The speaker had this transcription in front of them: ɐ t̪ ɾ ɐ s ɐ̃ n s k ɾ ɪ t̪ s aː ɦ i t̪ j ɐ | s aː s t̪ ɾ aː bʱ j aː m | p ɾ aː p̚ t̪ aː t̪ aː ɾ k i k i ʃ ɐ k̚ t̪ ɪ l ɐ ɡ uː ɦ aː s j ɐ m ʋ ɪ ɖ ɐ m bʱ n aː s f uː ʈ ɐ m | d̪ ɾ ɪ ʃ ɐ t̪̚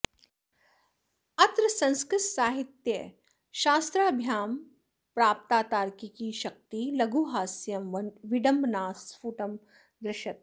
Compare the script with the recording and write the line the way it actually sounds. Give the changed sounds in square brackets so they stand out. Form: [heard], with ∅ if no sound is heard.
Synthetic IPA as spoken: ɐ t̪ ɾ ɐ s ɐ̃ n s k ɾ ɪ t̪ s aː ɦ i t̪ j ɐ | [ʃ] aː s t̪ ɾ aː bʱ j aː m | p ɾ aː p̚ t̪ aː t̪ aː ɾ k i k i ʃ ɐ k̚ t̪ [i] l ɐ ɡ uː ɦ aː s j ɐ m ʋ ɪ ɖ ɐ m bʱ n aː s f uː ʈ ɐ m | d̪ ɾ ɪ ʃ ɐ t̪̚